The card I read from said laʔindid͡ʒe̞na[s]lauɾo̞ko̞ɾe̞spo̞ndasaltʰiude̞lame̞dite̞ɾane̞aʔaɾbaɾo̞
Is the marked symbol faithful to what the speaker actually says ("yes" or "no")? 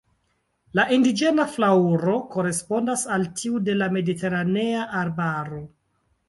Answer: no